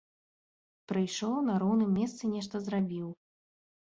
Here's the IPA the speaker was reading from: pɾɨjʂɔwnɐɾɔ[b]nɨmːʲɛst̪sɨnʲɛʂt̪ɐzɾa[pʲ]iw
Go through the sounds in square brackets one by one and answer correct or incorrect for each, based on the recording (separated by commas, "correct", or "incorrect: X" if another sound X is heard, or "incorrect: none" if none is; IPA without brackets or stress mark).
incorrect: w, incorrect: bʲ